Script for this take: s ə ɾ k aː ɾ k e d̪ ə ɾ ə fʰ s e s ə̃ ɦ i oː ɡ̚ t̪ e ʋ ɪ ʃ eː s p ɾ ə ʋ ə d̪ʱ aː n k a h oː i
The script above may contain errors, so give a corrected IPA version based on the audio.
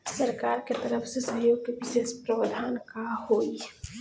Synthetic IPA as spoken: s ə ɾ k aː ɾ k e t̪ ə ɾ ə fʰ s e s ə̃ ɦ j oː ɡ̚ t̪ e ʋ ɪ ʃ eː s p ɾ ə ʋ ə d̪ʱ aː n k a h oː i